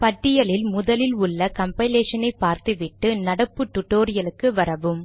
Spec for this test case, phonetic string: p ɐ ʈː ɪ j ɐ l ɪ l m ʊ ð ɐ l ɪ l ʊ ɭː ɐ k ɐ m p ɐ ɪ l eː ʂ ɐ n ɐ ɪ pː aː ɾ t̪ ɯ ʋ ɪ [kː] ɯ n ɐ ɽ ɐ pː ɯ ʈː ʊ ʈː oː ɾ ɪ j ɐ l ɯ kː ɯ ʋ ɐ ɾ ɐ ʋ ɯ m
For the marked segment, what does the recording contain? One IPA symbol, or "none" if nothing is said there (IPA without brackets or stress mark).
ʈː